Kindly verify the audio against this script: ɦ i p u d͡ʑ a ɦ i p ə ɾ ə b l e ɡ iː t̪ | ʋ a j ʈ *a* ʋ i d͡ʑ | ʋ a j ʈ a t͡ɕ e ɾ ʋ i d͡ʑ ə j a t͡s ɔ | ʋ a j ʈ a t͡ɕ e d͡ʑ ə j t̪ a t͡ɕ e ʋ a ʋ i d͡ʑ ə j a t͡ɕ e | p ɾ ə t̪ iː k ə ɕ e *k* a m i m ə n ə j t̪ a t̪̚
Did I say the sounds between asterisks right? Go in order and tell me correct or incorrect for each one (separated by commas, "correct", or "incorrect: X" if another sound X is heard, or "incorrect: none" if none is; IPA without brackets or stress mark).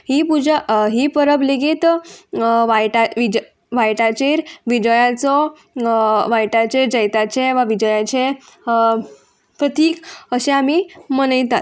correct, incorrect: none